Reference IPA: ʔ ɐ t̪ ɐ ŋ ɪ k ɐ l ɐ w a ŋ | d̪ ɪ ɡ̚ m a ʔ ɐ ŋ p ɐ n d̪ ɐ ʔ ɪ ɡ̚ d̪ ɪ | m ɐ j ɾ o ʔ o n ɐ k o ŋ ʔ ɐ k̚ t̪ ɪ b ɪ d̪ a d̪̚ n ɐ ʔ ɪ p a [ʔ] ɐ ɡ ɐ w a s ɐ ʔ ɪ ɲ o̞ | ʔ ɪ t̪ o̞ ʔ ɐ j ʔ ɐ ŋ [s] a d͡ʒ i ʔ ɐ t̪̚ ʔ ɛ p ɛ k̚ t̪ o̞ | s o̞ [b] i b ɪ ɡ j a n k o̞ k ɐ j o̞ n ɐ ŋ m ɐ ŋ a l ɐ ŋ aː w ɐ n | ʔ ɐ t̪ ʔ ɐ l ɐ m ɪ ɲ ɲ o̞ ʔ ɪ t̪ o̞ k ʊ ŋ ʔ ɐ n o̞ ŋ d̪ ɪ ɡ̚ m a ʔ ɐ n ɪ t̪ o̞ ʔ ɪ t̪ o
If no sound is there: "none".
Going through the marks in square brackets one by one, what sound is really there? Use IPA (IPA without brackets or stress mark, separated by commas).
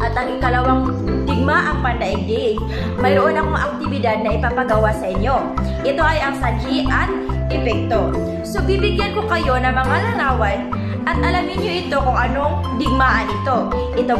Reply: p, s, b